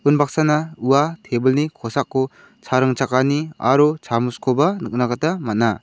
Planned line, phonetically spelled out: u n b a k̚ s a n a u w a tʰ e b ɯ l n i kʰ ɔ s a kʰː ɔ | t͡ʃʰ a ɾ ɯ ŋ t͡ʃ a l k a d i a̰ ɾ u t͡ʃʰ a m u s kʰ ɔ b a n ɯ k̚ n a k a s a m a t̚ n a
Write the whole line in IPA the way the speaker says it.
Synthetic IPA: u n b a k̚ s a n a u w a tʰ e b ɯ l n i kʰ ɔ s a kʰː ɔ | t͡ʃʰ a ɾ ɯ ŋ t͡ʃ a k a n i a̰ ɾ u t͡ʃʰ a m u s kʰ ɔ b a n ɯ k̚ n a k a t a m a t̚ n a